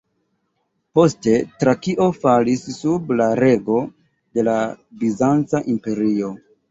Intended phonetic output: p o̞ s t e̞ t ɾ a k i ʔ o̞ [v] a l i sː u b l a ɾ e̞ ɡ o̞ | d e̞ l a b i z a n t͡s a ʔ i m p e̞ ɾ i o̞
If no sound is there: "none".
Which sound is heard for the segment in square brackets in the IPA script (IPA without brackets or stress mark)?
f